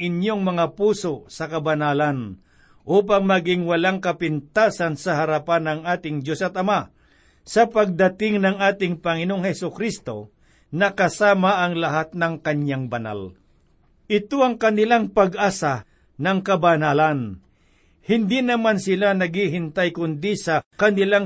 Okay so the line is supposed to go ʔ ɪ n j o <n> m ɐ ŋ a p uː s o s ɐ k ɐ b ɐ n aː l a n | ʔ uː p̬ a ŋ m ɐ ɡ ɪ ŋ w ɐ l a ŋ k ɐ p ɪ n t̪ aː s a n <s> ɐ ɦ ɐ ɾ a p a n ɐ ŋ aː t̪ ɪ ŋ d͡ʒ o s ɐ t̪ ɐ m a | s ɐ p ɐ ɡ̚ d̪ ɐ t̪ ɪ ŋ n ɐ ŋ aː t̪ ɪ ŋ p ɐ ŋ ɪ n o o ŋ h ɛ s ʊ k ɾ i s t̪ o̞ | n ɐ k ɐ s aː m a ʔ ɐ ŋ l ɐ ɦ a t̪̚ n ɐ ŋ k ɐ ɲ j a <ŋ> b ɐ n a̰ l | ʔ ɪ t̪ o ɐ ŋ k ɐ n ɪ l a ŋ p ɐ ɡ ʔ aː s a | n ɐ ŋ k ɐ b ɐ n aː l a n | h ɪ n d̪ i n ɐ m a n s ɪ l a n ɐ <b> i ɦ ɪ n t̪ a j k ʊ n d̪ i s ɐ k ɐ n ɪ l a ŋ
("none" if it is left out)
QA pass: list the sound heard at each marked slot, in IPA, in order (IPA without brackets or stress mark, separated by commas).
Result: ŋ, s, ŋ, ɡ